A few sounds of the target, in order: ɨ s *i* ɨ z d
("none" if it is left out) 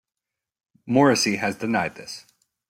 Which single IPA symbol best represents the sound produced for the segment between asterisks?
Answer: i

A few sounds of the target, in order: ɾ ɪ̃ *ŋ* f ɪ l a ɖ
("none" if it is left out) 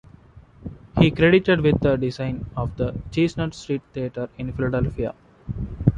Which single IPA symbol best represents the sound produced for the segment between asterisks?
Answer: n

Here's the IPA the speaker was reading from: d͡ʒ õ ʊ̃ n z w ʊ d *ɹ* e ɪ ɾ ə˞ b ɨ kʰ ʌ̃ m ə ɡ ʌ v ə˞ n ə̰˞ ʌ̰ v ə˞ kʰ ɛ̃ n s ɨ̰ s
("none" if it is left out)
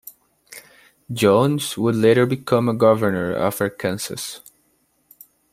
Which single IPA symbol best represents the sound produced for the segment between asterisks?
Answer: l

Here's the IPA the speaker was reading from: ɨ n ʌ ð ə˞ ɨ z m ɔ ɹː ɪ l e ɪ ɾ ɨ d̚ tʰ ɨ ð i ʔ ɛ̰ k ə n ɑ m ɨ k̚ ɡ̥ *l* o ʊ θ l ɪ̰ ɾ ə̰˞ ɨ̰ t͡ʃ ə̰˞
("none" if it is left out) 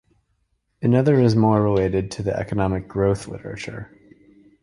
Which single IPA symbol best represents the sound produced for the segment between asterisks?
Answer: ɹ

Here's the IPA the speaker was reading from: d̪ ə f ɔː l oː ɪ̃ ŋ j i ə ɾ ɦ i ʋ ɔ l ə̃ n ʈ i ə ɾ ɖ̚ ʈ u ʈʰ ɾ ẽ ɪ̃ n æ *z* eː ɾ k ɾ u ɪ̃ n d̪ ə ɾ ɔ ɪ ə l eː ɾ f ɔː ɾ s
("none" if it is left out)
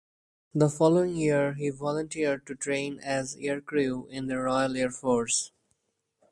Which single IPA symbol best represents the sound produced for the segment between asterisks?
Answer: z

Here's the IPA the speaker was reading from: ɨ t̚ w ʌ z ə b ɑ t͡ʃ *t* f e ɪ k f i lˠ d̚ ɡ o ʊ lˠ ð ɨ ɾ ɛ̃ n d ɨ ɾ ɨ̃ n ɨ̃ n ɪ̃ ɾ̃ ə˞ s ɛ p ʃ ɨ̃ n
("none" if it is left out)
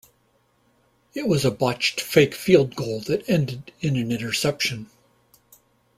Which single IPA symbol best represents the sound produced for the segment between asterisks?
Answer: t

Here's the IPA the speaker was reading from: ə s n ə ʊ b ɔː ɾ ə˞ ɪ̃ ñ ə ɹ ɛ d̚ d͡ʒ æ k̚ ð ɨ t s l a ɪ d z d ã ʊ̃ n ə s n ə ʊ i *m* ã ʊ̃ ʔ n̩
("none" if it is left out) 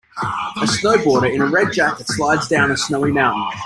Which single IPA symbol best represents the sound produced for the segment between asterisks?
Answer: m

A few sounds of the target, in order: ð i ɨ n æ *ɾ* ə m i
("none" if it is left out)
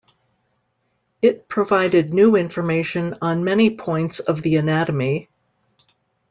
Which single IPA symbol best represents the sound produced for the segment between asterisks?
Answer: ɾ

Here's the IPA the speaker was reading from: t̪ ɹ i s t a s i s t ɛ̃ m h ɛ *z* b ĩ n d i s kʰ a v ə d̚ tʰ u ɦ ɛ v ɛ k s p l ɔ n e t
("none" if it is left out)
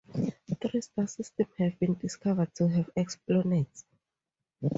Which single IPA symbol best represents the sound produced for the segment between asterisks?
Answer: v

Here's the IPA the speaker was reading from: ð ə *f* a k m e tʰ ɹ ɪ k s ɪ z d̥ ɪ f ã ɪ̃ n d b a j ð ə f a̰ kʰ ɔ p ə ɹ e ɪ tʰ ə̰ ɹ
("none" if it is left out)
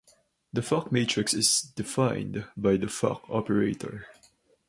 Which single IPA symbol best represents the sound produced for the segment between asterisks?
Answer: f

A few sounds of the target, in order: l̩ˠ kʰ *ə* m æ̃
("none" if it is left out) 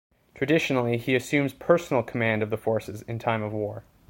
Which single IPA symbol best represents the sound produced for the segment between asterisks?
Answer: ə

